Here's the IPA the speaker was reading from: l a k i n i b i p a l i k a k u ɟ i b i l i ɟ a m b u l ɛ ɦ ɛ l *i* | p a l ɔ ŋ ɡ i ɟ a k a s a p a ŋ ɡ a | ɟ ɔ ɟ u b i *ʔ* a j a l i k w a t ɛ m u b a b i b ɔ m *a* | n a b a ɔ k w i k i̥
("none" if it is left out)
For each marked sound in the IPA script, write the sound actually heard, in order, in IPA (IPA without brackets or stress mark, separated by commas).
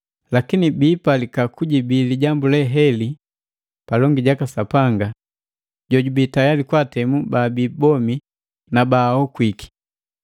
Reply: i, t, i